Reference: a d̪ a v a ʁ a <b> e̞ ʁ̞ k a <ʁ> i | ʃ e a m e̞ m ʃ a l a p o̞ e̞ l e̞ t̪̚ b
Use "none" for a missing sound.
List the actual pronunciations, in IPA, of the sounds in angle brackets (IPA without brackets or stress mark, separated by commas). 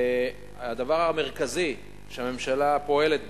m, z